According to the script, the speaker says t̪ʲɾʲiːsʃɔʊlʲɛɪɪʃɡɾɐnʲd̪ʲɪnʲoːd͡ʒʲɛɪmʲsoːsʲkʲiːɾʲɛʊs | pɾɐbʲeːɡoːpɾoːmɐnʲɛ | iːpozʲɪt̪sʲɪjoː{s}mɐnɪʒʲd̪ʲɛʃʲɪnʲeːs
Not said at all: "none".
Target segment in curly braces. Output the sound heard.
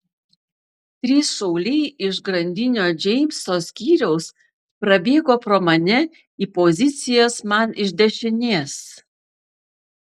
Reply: s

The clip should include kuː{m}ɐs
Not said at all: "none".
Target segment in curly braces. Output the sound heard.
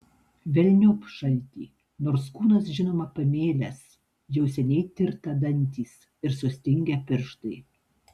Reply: n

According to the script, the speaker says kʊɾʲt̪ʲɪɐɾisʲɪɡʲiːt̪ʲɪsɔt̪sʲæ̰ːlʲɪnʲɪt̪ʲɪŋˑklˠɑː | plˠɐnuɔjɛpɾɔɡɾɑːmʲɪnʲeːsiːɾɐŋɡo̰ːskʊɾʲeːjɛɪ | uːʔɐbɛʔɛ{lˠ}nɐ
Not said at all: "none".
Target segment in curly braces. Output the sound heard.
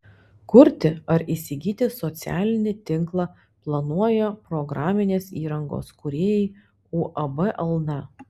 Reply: lˠ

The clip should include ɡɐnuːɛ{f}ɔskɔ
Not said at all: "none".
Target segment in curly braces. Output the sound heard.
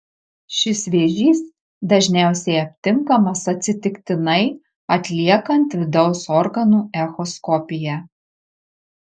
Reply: x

